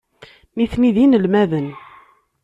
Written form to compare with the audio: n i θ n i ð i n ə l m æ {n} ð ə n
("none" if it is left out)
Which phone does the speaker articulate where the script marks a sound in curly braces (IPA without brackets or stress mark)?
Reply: none